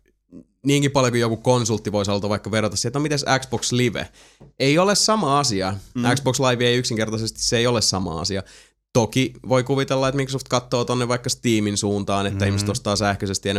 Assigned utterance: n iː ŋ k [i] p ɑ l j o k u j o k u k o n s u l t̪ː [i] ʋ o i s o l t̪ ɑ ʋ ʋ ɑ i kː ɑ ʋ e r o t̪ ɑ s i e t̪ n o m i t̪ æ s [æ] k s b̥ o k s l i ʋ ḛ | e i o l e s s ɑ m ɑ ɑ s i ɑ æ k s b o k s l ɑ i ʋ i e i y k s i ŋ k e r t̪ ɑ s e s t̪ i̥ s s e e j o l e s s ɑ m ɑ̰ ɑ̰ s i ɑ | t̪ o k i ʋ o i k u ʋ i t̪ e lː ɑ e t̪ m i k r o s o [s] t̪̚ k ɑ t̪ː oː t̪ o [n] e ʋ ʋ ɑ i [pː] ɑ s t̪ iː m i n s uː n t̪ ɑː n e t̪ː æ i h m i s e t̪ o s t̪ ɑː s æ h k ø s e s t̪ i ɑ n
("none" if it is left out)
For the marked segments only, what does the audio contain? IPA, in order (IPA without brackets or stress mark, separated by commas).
i, i, æ, f, nː, kː